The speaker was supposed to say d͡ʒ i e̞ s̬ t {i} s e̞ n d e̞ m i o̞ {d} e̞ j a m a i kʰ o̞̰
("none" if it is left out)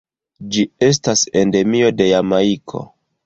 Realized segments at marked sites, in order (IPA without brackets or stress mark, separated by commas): a, d